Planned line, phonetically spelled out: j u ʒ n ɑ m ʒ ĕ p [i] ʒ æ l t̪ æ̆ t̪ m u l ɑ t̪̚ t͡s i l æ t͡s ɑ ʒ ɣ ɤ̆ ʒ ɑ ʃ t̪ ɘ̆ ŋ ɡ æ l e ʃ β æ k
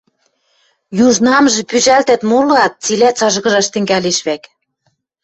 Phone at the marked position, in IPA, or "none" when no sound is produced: y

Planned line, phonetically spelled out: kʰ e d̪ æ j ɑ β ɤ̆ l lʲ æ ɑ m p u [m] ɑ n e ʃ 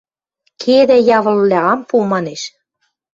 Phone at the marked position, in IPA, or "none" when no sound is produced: m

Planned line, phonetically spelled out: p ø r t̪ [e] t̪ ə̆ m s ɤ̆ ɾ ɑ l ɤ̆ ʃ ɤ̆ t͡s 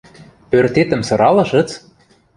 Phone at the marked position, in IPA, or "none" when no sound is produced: e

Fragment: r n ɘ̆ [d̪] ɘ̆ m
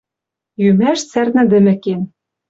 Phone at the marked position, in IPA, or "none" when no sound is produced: d̪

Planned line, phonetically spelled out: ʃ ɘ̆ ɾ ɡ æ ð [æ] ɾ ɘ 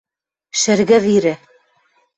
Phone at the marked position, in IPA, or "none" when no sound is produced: i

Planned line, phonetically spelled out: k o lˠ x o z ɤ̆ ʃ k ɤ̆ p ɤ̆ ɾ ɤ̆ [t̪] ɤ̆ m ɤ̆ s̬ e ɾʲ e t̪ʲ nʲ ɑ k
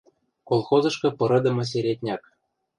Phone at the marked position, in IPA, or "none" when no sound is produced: d̪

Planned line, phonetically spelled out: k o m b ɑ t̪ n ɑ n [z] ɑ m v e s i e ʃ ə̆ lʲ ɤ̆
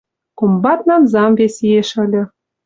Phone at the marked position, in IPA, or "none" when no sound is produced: z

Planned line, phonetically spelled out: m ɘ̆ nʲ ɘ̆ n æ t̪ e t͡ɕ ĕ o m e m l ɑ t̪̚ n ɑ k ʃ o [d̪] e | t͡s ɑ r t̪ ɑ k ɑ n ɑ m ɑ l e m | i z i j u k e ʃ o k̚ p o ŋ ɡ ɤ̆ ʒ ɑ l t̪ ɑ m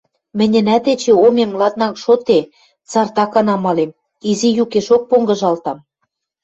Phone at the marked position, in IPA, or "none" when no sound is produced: t̪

